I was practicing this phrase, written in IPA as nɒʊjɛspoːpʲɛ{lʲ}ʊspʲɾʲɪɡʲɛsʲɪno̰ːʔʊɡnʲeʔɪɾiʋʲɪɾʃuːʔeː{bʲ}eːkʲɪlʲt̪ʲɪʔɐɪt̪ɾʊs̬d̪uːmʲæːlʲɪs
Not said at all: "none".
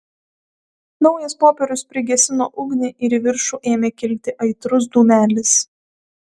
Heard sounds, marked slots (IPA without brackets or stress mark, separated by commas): ɾʲ, mʲ